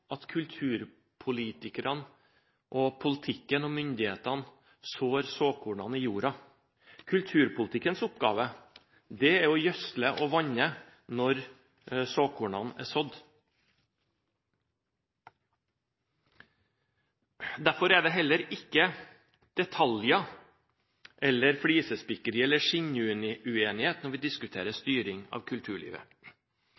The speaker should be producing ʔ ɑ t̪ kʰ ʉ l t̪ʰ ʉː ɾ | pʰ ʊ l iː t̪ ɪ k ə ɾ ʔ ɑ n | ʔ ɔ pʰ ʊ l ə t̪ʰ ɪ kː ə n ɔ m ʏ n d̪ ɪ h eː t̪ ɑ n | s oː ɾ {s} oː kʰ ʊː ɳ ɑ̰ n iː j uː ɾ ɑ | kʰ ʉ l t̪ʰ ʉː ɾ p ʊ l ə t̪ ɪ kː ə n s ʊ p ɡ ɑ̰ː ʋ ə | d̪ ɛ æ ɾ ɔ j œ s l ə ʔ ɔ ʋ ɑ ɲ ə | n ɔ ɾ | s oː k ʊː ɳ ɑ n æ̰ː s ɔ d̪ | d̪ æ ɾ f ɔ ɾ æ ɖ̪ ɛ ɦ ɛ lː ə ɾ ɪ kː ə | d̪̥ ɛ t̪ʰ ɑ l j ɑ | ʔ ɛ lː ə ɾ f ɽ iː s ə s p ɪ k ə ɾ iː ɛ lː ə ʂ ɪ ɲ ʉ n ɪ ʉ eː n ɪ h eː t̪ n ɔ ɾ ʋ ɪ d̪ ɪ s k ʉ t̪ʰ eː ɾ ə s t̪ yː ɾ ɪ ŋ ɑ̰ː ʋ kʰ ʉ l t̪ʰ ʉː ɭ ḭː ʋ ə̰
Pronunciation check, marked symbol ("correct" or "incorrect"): correct